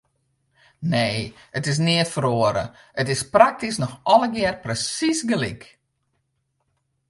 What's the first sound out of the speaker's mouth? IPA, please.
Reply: n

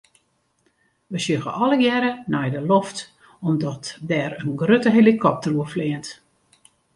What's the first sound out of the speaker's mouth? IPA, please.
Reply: ʋ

